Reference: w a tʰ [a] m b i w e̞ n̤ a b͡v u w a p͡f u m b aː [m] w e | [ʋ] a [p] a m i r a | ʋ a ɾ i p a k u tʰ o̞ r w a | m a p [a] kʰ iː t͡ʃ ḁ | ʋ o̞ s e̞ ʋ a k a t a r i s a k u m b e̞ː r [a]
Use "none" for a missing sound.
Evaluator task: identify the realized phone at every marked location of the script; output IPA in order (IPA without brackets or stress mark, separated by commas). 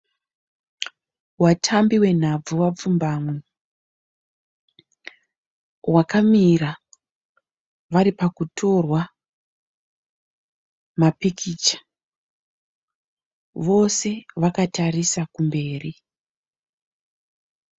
a, m, w, k, i, i